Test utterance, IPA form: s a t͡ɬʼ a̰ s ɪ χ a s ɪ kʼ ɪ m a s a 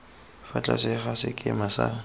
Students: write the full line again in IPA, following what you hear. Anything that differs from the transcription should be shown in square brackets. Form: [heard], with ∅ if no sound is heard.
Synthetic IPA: [f] a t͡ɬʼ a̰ s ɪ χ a s ɪ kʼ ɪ m a s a